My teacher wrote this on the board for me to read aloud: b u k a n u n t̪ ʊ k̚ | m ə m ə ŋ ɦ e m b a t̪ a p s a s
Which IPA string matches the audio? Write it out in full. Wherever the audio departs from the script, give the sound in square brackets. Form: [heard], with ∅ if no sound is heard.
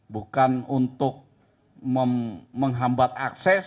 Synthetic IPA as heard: b u k a n u n t̪ ʊ k̚ | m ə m ə ŋ ɦ [a] m b a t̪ a [k] s [ɛ] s